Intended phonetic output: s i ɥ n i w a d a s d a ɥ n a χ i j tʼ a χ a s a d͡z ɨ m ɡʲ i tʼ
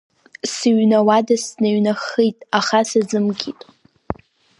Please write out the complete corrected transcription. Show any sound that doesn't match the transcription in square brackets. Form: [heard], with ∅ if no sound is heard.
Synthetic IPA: s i ɥ n [a] w a d a s [n] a ɥ n a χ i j tʼ a χ a s a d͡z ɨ m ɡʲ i tʼ